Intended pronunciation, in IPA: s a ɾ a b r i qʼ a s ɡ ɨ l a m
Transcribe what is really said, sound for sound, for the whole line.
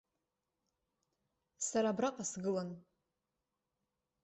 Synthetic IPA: s a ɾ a b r a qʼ a s ɡ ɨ l a n